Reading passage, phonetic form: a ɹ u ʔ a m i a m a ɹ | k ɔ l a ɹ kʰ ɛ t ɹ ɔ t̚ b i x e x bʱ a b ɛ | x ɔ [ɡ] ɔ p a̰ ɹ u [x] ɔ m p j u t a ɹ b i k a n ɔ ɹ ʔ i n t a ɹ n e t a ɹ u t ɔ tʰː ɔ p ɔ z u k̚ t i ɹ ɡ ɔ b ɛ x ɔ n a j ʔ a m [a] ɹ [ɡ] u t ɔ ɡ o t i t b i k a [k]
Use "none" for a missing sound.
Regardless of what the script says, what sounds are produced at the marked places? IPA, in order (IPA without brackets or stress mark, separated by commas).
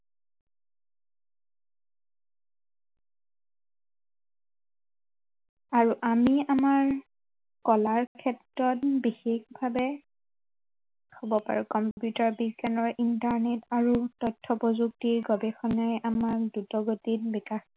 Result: b, k, a, d, x